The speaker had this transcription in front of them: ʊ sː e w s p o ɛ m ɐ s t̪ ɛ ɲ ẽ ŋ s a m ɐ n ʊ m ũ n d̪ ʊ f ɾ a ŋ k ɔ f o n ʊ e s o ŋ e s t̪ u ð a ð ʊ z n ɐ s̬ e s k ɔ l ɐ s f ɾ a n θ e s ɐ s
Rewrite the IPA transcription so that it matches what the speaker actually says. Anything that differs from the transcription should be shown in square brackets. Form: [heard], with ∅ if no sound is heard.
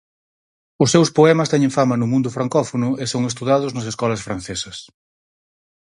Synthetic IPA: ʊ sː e w s p o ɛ m ɐ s t̪ ɛ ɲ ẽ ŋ [f] a m ɐ n ʊ m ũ n d̪ ʊ f ɾ a ŋ k ɔ f o n ʊ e s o ŋ e s t̪ u ð a ð ʊ z n ɐ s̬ e s k ɔ l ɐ s f ɾ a n θ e s ɐ s